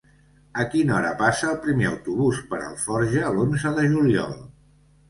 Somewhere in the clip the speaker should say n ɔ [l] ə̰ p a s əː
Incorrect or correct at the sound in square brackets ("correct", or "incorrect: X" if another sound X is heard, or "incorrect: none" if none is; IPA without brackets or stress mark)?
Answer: incorrect: ɾ